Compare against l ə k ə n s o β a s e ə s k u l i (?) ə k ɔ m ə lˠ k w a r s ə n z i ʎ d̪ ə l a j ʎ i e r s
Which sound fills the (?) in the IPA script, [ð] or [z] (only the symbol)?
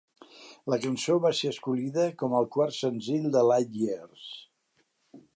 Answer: ð